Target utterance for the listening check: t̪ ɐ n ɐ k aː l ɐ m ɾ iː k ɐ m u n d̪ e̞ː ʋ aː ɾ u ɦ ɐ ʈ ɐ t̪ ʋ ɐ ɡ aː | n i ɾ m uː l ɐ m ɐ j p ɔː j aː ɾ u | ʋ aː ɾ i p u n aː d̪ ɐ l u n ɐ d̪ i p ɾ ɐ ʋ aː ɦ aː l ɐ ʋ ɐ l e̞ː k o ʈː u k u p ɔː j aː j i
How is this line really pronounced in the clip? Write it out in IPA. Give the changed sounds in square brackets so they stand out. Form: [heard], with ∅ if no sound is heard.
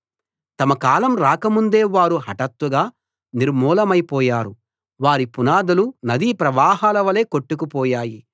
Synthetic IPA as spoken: t̪ ɐ [m] ɐ k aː l ɐ m ɾ [aː] k ɐ m u n d̪ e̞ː ʋ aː ɾ u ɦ ɐ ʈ ɐ t̪ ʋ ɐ ɡ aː | n i ɾ m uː l ɐ m ɐ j p ɔː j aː ɾ u | ʋ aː ɾ i p u n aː d̪ ɐ l u n ɐ d̪ i p ɾ ɐ ʋ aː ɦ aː l ɐ ʋ ɐ l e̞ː k o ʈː u k u p ɔː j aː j i